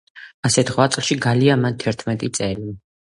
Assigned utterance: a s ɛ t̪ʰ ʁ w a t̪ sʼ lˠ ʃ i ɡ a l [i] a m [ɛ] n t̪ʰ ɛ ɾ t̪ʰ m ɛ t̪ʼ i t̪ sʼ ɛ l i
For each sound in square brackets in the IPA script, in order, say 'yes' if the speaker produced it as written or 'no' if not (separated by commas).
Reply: yes, no